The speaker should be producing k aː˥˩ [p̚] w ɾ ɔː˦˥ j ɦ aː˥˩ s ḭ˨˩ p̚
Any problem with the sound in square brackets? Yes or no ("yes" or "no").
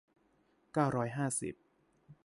yes